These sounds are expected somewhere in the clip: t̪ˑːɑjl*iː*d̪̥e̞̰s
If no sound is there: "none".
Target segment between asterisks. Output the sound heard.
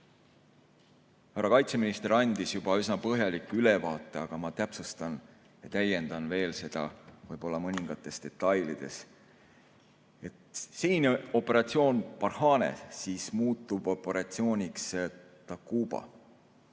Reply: i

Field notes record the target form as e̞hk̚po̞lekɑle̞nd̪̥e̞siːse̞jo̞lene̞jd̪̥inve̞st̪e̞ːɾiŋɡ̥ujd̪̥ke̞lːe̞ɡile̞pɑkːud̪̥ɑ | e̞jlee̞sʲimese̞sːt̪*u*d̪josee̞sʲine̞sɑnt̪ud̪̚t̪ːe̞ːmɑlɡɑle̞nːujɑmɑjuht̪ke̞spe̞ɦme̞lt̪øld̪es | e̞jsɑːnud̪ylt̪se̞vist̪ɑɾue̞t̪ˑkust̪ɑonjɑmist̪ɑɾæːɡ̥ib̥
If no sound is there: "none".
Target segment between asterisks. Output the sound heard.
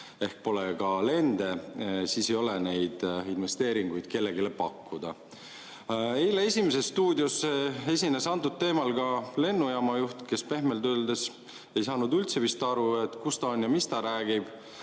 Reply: uː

